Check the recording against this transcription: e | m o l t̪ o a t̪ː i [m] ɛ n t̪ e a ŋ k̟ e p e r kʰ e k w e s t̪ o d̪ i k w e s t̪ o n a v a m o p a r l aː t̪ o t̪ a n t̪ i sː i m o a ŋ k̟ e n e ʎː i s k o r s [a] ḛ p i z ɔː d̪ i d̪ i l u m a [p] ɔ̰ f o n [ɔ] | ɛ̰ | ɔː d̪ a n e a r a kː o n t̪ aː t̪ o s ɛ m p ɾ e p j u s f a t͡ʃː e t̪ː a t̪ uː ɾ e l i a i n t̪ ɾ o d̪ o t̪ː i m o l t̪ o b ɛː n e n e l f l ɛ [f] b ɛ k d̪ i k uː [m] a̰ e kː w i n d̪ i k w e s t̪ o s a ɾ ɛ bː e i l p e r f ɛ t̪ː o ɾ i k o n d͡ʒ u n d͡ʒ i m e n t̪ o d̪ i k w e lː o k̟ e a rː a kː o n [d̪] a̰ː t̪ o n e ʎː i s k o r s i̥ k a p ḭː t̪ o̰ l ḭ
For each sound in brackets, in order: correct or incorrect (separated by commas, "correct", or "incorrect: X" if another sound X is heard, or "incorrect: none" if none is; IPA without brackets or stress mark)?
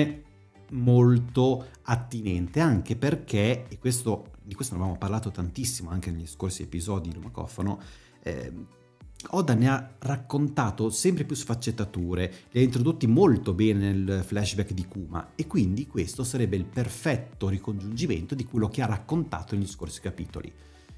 incorrect: n, incorrect: i, incorrect: k, incorrect: o, incorrect: ʃ, correct, incorrect: t̪